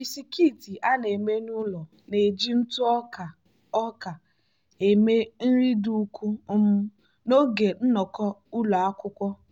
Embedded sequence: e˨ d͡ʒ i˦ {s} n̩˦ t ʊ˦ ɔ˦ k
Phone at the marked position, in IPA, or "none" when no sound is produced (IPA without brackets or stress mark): none